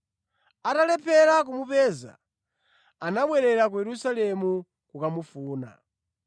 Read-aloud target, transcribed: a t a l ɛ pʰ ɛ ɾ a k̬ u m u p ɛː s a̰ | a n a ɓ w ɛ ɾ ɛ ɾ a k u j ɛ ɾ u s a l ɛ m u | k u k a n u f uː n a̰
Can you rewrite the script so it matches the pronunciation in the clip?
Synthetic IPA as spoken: a t a l ɛ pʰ ɛ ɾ a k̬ u m u p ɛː z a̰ | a n a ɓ w ɛ ɾ ɛ ɾ a k u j ɛ ɾ u s a l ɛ m u | k u k a m u f uː n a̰